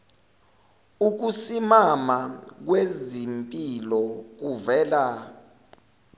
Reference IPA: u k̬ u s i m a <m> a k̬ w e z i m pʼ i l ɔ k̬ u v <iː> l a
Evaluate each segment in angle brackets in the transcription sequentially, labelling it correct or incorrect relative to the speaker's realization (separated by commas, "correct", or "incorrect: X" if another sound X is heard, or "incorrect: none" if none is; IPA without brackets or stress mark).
correct, incorrect: ɛː